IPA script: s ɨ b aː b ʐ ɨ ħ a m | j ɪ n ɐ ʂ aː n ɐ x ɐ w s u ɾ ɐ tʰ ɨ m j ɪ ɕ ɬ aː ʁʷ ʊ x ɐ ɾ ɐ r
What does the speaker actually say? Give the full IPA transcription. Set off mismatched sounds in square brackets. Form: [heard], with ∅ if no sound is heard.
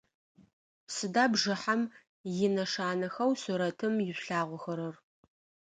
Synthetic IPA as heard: s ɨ [d] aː b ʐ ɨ ħ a m | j ɪ n ɐ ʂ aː n ɐ x ɐ w s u ɾ ɐ tʰ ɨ m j ɪ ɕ ɬ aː ʁʷ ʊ x ɐ ɾ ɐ r

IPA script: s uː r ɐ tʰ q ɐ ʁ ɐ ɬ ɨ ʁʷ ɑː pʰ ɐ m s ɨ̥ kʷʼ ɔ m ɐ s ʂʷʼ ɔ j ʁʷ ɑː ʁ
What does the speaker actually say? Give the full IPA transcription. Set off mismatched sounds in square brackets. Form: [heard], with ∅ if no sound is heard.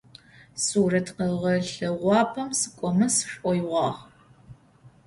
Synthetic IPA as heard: s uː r ɐ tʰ q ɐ ʁ ɐ ɬ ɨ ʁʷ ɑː pʰ ɐ m s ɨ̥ kʷʼ ɔ m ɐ s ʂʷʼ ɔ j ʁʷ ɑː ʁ

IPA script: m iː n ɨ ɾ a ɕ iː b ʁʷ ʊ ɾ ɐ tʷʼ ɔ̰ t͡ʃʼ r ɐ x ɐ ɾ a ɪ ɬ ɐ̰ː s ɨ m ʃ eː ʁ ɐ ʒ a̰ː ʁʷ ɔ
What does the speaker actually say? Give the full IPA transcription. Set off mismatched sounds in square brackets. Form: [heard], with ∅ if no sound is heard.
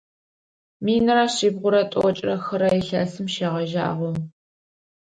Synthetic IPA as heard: m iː n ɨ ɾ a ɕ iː b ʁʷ ʊ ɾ ɐ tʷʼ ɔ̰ t͡ʃʼ r ɐ x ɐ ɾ [ɐ] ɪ ɬ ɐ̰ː s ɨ m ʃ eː ʁ ɐ ʒ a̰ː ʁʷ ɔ

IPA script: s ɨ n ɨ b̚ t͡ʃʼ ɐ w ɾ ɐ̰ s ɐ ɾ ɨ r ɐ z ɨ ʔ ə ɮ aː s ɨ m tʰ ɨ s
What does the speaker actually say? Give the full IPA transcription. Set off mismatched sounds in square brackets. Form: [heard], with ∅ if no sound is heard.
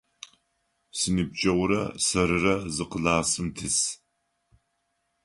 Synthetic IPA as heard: s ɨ n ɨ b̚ t͡ʃʼ ɐ w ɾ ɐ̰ s ɐ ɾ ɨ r ɐ z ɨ [q] ə ɮ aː s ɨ m tʰ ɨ s

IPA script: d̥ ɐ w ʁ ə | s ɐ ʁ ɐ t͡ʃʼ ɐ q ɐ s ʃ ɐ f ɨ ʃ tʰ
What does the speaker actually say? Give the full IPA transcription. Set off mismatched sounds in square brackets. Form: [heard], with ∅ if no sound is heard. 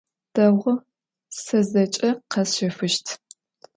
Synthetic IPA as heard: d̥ ɐ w ʁ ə | s ɐ [z] ɐ t͡ʃʼ ɐ q ɐ s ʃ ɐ f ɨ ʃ tʰ

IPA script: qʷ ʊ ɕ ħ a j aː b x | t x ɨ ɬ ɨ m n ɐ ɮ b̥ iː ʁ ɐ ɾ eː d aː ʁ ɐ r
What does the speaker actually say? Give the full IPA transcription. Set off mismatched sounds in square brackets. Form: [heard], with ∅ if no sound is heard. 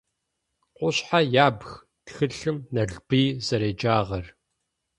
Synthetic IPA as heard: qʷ ʊ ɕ ħ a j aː b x | t x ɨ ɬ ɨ m n ɐ ɮ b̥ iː [z] ɐ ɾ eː [d͡ʒ] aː ʁ ɐ r

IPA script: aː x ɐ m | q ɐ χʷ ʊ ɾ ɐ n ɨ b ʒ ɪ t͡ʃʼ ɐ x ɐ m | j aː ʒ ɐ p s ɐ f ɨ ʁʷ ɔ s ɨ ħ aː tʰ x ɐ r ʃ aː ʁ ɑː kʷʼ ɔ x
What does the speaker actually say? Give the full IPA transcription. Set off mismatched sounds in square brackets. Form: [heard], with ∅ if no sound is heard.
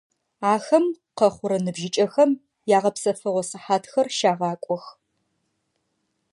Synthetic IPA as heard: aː x ɐ m | q ɐ χʷ ʊ ɾ ɐ n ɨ b ʒ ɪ t͡ʃʼ ɐ x ɐ m | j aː [ʁ] ɐ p s ɐ f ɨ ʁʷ ɔ s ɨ ħ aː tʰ x ɐ r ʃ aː ʁ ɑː kʷʼ ɔ x

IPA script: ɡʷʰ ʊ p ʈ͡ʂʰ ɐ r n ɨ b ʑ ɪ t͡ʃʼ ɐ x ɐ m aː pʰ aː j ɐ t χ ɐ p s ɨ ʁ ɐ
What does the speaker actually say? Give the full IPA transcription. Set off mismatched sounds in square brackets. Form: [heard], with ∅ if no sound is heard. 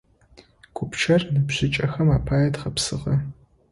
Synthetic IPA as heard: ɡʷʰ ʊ p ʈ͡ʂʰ ɐ r n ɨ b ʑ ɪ t͡ʃʼ ɐ x ɐ m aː pʰ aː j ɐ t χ ɐ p s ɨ ʁ ɐ

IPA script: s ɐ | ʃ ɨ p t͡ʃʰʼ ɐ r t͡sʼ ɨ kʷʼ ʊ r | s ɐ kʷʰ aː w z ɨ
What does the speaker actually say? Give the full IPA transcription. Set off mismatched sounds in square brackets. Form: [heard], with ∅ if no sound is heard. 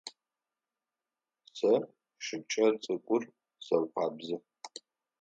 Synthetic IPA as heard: s ɐ | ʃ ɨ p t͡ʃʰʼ ɐ r t͡sʼ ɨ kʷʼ ʊ r | s ɐ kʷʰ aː [b] z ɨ

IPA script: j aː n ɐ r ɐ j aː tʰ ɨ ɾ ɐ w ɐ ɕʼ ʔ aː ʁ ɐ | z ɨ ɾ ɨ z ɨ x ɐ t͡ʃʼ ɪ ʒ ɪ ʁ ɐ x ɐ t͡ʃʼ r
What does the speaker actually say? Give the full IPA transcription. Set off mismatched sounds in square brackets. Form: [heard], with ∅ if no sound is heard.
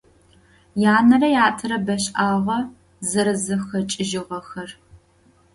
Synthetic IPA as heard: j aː n ɐ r ɐ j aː tʰ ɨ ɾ ɐ [b] ɐ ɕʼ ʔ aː ʁ ɐ | z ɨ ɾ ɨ z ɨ x ɐ t͡ʃʼ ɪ ʒ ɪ ʁ ɐ x ɐ [∅] r

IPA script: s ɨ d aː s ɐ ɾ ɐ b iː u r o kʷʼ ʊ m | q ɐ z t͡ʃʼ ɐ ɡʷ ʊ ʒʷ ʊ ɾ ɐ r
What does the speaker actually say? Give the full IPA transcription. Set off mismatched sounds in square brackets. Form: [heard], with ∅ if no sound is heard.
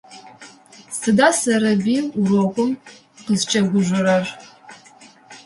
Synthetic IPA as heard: s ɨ d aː s ɐ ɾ ɐ b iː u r o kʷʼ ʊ m | q [ə] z t͡ʃʼ ɐ ɡʷ ʊ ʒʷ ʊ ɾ ɐ r

